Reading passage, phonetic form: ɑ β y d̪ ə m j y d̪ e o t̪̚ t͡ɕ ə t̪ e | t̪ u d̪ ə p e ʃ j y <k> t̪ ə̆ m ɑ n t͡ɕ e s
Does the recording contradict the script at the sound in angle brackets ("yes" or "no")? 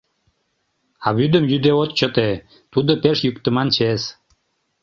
no